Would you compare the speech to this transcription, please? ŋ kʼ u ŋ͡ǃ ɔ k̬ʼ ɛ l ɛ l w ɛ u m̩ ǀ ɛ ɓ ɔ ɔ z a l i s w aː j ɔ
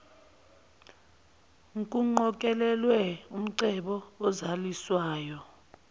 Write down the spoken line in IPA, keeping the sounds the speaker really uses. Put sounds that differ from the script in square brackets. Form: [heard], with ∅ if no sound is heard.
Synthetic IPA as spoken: ŋ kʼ u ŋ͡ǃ ɔ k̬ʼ ɛ l ɛ l w ɛ u m̩ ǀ ɛ ɓ ɔ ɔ z a l i s w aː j ɔ